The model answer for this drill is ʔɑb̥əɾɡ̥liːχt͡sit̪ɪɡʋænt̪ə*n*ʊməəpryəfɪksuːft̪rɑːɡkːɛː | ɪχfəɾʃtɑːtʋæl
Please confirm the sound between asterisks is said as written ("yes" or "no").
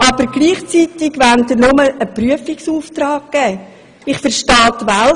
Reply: yes